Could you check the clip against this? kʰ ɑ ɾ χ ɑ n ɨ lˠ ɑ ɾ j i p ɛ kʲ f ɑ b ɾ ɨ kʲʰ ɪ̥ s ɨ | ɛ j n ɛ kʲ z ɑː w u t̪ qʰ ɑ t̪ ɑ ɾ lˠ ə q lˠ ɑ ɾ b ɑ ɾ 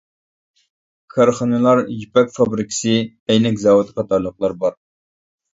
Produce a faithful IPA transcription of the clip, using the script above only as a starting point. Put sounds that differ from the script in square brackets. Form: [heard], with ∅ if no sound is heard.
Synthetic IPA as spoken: kʰ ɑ ɾ χ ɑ n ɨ lˠ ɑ ɾ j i p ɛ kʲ f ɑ b ɾ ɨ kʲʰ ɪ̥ s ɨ | ɛ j n ɛ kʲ z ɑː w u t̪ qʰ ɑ t̪ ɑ ɾ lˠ ə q lˠ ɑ ɾ b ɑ ɾ